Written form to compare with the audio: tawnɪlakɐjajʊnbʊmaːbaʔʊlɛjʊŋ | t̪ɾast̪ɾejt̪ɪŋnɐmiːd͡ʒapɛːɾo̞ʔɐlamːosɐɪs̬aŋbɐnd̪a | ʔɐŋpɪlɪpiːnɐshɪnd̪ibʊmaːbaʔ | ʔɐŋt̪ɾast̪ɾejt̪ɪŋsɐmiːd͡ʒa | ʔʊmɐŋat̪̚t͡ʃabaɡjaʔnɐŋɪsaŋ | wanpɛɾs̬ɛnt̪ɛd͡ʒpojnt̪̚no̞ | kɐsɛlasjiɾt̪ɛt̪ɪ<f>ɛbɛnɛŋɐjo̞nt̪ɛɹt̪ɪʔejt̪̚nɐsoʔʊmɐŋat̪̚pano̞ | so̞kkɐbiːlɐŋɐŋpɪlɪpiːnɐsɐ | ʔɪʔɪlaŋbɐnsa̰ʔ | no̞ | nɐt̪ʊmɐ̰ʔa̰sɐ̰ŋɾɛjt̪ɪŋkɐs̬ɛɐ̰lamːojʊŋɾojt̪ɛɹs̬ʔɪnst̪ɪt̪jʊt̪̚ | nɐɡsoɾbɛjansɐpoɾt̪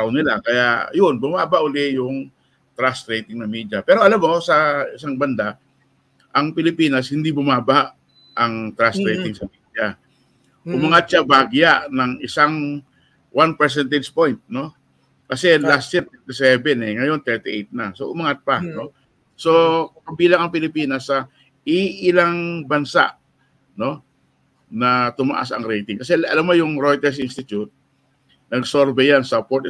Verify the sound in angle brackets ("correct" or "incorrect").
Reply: incorrect